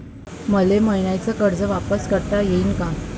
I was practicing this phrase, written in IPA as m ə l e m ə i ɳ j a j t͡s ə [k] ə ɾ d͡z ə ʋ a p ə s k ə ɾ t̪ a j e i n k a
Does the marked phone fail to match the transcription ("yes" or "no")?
no